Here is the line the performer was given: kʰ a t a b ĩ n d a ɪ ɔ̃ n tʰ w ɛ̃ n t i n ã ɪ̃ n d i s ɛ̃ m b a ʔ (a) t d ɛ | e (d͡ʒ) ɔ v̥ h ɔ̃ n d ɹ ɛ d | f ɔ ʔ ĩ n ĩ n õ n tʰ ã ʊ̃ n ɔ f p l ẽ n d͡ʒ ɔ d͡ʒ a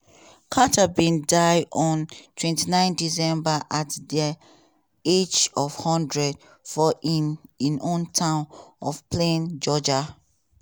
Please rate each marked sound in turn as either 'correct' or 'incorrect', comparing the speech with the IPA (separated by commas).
correct, correct